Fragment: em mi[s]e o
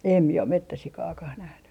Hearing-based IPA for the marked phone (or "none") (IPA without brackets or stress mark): none